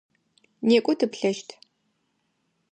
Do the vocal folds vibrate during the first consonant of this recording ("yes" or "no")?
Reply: yes